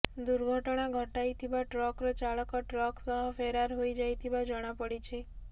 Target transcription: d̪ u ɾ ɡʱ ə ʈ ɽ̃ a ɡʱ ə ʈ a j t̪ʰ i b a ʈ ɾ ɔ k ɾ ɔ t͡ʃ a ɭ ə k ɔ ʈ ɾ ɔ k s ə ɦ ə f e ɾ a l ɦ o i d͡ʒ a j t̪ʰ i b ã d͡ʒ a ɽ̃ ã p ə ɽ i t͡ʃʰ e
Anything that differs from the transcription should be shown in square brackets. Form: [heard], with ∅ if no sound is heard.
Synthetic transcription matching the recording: d̪ u ɾ ɡʱ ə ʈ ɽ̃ a ɡʱ ə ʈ a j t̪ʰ i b a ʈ ɾ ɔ k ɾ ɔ t͡ʃ a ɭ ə k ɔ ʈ ɾ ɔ k s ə ɦ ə f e ɾ a [ɾ] ɦ o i d͡ʒ a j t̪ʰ i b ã d͡ʒ [ə] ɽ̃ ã p ə ɽ i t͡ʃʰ e